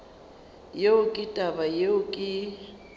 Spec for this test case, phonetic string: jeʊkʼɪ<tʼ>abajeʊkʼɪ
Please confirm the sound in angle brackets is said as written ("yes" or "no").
yes